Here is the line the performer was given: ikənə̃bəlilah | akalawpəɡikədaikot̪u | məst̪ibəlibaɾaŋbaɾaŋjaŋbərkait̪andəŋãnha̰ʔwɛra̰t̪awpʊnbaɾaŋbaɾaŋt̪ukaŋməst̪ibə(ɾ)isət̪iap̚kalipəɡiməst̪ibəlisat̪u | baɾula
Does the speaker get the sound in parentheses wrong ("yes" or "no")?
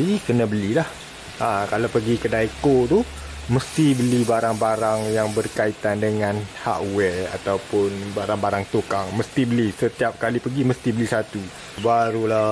yes